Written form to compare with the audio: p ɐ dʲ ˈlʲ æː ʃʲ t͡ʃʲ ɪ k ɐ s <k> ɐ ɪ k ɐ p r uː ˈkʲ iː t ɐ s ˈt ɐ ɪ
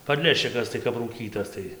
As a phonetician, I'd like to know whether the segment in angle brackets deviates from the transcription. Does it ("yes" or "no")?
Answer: yes